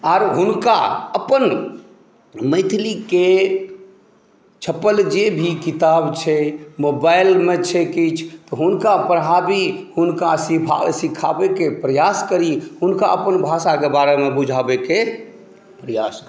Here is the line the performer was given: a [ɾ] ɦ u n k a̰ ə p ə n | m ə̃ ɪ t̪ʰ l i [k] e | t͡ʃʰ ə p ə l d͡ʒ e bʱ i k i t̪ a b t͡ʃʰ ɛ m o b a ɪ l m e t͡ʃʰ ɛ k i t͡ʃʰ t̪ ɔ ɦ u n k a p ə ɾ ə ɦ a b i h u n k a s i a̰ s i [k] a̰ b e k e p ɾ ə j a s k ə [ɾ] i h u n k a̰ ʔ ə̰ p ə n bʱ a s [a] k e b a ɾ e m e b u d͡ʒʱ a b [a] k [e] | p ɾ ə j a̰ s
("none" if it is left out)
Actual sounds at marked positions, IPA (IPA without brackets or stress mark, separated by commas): ɾ, k, kʰ, ɾ, a, e, e